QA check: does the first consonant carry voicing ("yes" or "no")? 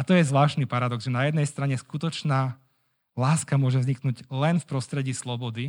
no